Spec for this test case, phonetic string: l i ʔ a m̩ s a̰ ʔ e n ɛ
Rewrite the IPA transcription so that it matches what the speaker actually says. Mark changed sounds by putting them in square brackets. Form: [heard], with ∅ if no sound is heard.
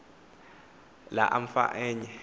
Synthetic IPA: l [a] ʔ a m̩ [f] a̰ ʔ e [ɲ] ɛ